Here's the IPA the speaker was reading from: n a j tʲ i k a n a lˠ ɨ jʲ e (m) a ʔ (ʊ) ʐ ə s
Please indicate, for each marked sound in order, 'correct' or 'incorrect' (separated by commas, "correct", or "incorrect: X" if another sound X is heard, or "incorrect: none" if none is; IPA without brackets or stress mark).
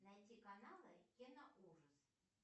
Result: incorrect: n, incorrect: u